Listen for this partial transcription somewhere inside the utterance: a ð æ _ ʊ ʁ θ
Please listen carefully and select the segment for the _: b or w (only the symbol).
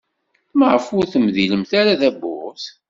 b